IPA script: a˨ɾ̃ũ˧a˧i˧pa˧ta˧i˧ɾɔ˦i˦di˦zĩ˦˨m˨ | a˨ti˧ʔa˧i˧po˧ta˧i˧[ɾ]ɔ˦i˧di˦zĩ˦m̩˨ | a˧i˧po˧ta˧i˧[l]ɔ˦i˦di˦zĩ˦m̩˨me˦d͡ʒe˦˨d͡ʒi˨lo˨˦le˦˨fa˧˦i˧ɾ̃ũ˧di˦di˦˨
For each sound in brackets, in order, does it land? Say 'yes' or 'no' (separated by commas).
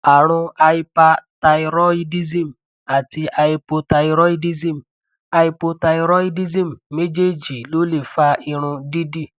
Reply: yes, no